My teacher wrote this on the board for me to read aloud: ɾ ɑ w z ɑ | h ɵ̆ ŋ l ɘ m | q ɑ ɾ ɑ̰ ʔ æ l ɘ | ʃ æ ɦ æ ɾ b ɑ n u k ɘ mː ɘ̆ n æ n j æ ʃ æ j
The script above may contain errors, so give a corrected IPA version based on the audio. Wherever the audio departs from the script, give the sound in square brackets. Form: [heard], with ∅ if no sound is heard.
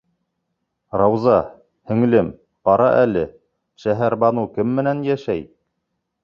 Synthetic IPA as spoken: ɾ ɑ w z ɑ | h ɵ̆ ŋ l ɘ m | q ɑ ɾ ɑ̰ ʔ æ l ɘ | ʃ æ ɦ æ ɾ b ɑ n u k ɘ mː ɘ̆ n æ n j æ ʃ æ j